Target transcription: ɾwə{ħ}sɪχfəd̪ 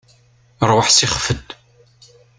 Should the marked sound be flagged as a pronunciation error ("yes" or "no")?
no